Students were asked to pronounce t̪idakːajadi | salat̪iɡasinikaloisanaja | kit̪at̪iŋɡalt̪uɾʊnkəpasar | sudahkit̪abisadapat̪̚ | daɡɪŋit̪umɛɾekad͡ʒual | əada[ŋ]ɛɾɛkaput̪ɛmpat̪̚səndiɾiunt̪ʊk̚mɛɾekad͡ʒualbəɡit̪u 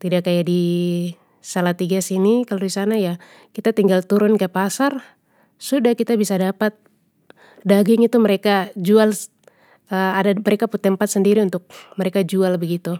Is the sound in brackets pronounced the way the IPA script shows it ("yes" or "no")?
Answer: no